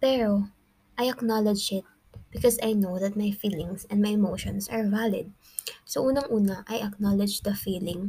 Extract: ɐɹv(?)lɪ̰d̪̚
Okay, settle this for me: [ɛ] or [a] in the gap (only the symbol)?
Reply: a